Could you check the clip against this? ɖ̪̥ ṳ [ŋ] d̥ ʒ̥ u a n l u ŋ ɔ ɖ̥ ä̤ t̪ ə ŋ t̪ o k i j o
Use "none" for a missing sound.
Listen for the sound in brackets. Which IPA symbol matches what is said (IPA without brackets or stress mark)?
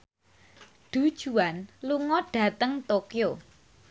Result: none